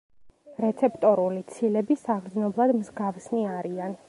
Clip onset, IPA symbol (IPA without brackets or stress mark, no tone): ɾ